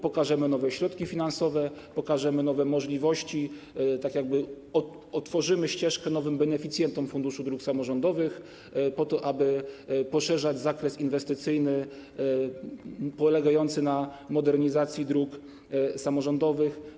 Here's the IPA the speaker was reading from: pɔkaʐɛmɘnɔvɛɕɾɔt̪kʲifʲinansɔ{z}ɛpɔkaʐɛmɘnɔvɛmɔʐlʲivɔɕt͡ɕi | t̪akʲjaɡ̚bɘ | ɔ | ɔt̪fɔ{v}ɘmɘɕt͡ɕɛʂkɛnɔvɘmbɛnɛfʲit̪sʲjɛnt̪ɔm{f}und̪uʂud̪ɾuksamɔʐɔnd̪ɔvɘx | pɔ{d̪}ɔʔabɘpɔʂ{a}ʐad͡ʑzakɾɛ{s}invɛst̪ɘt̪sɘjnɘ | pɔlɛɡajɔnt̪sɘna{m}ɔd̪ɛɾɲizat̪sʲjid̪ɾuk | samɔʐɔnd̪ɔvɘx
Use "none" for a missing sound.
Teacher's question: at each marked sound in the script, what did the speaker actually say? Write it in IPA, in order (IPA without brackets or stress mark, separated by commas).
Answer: v, ʐ, f, t̪, ɛ, s, m